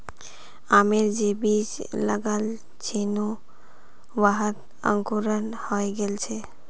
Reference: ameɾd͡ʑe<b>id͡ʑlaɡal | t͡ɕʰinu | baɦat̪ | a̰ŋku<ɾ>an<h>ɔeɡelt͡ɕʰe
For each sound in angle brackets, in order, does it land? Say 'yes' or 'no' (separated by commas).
yes, yes, yes